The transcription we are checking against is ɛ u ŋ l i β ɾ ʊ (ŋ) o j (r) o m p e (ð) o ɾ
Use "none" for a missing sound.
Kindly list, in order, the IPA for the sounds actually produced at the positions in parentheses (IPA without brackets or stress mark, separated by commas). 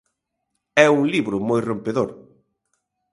m, r, ð